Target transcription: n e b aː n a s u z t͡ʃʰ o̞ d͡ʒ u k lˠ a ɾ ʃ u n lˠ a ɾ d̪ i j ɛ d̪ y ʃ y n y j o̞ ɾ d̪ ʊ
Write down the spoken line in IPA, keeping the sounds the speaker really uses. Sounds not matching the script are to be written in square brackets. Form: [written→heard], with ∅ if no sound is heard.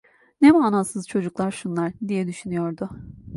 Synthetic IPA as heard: n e [b→m] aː n a s [u→ɯ] z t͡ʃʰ o̞ d͡ʒ u k lˠ a ɾ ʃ u n lˠ a ɾ d̪ i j ɛ d̪ y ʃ y n y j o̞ ɾ d̪ ʊ